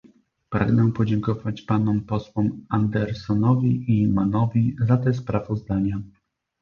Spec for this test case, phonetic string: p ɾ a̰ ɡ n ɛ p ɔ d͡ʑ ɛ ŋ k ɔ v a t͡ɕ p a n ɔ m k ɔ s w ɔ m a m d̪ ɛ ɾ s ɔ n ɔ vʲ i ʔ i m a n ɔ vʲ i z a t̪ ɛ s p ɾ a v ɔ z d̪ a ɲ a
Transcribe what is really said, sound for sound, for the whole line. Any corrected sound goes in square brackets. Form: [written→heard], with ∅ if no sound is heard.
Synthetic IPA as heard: p ɾ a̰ ɡ n ɛ p ɔ d͡ʑ ɛ ŋ k ɔ v a t͡ɕ p a n ɔ m [k→p] ɔ s w ɔ m a [m→n] d̪ ɛ ɾ s ɔ n ɔ vʲ i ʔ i m a n ɔ vʲ i z a t̪ ɛ s p ɾ a v ɔ z d̪ a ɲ a